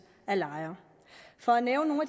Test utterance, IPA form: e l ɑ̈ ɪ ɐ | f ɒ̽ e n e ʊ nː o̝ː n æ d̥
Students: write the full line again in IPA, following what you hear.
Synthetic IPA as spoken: æ l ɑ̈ ɪ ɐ | f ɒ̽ æ n e ʊ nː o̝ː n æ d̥